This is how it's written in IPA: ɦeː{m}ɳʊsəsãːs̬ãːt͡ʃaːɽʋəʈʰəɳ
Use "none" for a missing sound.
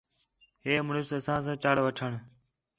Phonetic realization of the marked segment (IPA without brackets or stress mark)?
m